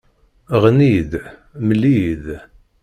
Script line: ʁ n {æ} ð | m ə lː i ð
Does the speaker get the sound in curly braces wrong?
yes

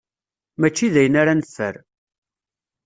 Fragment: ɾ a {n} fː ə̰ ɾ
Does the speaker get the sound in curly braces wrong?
no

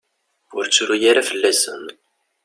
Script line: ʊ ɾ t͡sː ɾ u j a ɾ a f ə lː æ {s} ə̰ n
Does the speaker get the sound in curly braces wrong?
no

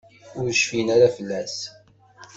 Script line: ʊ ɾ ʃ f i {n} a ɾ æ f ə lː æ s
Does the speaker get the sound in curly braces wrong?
no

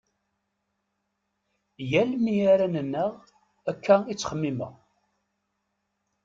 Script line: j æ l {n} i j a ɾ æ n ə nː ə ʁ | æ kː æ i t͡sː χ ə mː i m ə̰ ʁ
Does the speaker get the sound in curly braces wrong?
yes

